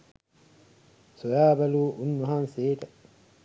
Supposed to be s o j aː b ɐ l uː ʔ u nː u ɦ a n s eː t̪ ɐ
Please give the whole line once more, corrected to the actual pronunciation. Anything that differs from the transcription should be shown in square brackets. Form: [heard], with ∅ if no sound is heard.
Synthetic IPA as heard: s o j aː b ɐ l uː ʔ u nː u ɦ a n s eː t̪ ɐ